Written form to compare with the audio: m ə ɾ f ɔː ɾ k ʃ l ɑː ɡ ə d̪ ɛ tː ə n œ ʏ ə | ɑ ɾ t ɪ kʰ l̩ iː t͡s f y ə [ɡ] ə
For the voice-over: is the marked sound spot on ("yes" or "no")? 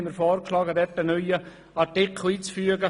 yes